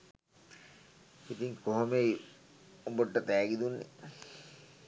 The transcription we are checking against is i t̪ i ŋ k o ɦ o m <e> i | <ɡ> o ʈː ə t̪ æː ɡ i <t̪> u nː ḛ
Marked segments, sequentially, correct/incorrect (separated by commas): correct, incorrect, incorrect